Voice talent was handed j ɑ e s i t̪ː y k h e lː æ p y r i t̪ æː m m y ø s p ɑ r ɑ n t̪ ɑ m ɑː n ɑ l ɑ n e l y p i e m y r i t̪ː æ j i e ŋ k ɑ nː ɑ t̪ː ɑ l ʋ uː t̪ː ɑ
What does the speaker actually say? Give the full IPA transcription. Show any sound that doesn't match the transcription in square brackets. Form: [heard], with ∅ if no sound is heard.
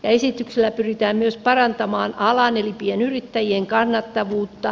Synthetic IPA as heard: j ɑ e s i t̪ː y k [s] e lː æ p y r i t̪ æː m m y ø s p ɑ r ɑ n t̪ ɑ m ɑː n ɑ l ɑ n e l [i] p i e [n] y r i t̪ː æ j i e ŋ k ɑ nː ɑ t̪ː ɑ [∅] ʋ uː t̪ː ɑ